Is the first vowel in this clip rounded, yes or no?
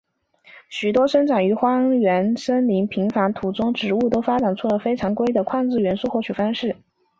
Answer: yes